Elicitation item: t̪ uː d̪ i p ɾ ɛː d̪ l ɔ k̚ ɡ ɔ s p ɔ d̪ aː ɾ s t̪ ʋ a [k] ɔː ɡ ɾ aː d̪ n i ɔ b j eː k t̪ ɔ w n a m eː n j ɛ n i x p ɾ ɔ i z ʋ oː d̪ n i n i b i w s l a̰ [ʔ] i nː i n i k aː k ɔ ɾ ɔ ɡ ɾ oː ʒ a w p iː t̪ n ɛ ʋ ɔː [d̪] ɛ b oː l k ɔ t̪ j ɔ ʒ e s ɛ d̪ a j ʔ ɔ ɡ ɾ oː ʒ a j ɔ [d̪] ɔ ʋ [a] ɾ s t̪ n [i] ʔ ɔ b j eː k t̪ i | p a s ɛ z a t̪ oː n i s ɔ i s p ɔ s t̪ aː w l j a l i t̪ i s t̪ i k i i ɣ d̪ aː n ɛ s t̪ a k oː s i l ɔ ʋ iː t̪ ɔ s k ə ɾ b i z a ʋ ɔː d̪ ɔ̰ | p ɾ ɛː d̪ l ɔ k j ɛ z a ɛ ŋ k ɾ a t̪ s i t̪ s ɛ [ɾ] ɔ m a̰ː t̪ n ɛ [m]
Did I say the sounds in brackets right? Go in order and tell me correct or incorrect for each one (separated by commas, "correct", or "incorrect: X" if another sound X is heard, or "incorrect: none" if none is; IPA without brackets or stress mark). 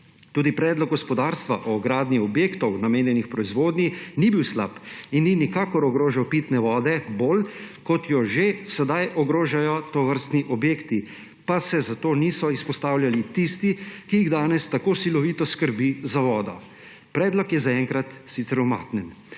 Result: incorrect: ʔ, incorrect: p, correct, incorrect: t̪, incorrect: ə, correct, correct, incorrect: n